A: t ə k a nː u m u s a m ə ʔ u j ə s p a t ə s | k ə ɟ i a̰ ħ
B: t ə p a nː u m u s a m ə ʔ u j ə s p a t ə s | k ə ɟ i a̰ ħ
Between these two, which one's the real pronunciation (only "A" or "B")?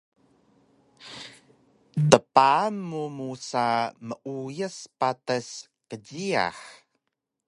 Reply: B